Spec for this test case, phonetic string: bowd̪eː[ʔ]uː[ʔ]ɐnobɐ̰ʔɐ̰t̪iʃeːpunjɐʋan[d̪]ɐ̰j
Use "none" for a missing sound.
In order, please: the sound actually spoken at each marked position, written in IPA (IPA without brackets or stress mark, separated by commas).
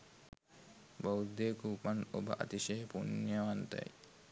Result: k, p, t̪